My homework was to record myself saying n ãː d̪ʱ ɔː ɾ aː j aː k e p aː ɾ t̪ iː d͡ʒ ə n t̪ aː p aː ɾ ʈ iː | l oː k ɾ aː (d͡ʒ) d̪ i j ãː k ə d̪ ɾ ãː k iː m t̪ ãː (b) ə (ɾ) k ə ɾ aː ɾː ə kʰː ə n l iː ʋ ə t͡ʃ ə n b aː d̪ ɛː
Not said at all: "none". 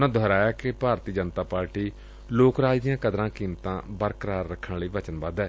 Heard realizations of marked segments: d͡ʒ, b, ɾ

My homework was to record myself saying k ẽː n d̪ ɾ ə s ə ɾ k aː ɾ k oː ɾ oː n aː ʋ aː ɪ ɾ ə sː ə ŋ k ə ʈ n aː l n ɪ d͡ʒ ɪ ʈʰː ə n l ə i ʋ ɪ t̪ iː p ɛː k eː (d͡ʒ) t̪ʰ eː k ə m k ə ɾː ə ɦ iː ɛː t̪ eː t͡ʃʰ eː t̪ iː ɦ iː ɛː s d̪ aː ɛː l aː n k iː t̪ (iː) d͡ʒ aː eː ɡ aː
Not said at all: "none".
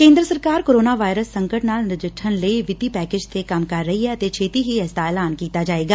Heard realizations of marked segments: d͡ʒ, aː

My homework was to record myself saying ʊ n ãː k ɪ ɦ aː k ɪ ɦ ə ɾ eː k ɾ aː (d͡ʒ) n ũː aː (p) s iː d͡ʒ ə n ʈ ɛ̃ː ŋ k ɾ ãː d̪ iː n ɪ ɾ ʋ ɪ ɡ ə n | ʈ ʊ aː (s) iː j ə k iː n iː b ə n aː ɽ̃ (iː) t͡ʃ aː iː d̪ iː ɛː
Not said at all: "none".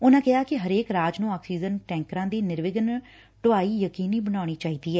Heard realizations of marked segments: d͡ʒ, k, none, iː

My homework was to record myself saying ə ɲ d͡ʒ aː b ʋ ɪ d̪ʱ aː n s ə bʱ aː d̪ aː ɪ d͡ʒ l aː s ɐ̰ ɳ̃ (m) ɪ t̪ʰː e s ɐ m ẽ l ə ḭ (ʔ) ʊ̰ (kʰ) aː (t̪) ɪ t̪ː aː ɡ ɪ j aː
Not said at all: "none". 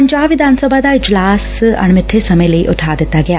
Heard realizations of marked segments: m, ʔ, ʈʰ, d̪

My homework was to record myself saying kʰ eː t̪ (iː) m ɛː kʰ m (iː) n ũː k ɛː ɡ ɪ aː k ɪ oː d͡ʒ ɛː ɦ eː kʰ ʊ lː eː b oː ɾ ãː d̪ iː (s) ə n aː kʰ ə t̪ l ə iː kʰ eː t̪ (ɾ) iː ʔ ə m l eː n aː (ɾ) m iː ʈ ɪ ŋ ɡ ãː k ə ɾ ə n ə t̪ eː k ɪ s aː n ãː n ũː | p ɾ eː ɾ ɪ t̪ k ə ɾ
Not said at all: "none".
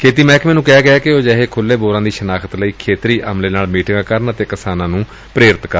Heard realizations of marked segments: iː, ɛː, ʃ, ɾ, l

